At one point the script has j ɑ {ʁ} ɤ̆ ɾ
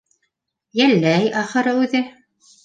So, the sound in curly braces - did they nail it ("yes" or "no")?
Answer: no